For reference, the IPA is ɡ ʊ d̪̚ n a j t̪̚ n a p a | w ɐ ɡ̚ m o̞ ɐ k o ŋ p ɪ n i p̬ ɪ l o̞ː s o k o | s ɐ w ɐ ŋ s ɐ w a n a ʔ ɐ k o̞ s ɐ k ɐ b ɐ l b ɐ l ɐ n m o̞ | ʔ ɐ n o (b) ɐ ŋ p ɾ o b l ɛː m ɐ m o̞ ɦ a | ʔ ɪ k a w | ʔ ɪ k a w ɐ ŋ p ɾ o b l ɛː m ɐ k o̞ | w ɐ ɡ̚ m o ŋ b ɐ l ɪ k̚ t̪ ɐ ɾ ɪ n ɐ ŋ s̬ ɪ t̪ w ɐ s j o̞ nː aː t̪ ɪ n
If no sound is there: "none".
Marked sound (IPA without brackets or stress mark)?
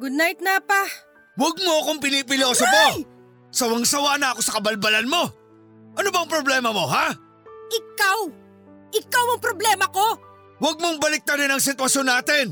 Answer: b